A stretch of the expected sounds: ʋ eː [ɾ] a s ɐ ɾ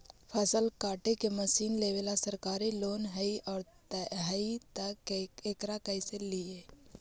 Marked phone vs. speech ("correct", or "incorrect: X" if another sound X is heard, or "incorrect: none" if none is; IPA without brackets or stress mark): incorrect: l